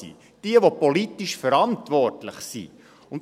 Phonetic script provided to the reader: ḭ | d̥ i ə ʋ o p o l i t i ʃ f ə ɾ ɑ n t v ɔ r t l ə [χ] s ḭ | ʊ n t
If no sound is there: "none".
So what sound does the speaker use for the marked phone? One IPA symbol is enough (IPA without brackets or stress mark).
χ